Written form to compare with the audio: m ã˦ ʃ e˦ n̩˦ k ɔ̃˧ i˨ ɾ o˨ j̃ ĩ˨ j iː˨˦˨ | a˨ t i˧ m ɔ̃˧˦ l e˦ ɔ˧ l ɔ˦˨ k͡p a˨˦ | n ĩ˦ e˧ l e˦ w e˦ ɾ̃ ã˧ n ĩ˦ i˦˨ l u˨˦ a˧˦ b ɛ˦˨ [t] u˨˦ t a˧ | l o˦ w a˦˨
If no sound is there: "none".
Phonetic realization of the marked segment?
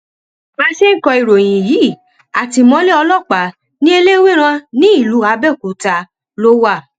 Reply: k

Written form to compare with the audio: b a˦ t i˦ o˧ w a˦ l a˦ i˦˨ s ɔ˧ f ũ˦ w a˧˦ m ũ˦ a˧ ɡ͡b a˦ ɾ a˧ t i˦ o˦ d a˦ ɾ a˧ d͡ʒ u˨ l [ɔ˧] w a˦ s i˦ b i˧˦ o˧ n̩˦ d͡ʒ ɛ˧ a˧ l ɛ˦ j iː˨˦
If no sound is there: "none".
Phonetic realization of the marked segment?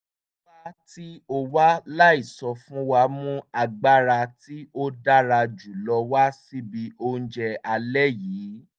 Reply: ɔ˧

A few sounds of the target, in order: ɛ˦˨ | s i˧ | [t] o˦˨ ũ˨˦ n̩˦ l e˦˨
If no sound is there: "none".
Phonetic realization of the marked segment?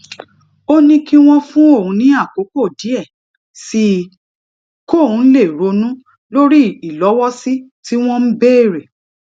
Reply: k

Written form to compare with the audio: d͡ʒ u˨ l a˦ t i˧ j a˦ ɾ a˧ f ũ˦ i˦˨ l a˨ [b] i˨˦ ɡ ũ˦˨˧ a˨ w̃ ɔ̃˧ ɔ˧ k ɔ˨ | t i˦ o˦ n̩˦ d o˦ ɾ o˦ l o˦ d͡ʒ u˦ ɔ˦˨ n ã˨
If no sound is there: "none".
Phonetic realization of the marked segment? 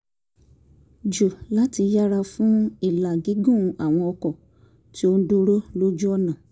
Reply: ɡ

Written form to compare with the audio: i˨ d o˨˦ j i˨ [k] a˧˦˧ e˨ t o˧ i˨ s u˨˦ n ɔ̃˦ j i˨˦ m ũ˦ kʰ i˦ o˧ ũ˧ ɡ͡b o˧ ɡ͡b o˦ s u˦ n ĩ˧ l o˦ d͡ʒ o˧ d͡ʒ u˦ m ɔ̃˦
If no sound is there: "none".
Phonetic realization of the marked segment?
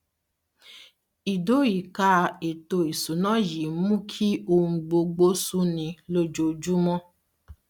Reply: k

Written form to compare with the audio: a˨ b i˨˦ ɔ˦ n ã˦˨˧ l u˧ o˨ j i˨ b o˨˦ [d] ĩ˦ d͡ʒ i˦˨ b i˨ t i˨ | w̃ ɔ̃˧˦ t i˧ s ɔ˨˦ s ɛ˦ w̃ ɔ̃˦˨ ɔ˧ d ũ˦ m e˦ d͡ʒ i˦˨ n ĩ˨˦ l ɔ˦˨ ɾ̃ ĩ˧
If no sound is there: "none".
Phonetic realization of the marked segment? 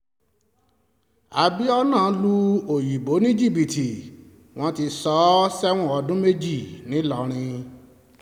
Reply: n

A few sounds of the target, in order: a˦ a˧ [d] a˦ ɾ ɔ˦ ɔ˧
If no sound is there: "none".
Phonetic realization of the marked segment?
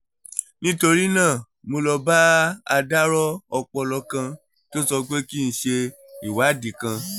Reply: d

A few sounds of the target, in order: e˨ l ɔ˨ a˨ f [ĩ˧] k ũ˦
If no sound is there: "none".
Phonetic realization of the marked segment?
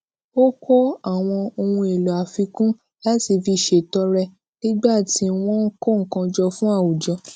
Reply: i˧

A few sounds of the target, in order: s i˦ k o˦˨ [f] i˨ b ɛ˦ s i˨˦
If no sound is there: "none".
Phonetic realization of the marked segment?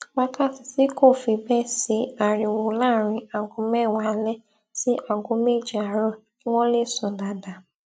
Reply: f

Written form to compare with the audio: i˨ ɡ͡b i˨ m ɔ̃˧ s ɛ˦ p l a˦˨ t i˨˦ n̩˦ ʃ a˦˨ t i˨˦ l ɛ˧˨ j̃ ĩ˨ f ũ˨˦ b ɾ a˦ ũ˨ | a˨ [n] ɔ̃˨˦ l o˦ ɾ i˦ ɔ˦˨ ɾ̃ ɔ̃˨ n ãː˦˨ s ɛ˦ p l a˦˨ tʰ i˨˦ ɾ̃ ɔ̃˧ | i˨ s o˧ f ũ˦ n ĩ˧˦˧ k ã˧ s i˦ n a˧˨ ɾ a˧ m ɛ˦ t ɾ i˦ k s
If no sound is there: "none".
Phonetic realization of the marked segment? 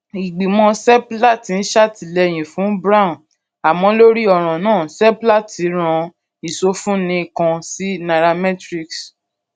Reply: m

